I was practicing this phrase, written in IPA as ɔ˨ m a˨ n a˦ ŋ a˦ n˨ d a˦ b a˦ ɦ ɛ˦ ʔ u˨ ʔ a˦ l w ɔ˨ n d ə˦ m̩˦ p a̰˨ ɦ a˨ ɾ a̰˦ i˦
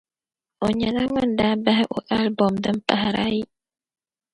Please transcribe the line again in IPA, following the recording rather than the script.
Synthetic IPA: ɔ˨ ɲ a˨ n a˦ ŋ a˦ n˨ d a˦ b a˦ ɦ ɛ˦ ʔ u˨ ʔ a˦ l b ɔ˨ m d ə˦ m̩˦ p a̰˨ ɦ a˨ ɾ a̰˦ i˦